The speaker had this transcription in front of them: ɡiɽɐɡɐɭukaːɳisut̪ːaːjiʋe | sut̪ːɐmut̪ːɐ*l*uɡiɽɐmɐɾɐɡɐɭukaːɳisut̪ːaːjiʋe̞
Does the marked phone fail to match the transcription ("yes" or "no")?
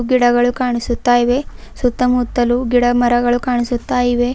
no